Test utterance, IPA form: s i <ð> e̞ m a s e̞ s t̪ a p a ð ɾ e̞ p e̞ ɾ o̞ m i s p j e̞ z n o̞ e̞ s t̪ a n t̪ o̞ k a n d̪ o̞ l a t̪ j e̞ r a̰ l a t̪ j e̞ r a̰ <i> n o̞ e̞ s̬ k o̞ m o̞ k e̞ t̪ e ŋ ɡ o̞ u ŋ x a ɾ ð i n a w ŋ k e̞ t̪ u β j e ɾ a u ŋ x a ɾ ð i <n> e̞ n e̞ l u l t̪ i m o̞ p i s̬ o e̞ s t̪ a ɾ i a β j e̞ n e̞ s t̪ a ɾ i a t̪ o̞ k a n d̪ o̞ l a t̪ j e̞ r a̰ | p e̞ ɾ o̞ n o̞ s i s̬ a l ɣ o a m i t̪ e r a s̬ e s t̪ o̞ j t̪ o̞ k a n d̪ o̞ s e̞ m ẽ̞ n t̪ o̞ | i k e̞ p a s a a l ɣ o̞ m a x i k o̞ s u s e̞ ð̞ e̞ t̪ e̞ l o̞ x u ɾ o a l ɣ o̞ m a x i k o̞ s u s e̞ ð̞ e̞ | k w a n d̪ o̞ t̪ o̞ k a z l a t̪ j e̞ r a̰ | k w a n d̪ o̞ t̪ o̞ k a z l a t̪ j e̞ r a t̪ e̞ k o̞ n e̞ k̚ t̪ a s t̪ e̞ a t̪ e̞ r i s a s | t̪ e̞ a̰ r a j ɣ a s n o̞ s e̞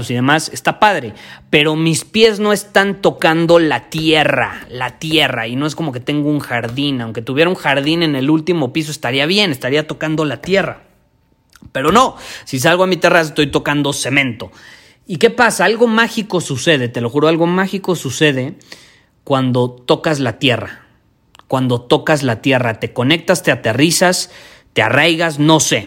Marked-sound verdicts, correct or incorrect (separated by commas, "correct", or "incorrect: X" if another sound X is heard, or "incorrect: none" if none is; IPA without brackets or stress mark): correct, correct, correct